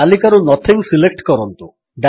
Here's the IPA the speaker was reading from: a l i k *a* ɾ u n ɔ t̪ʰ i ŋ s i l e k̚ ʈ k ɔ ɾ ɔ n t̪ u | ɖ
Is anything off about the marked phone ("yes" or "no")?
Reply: no